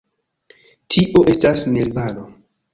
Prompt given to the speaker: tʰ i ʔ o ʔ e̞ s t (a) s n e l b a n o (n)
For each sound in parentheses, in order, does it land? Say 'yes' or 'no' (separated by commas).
yes, no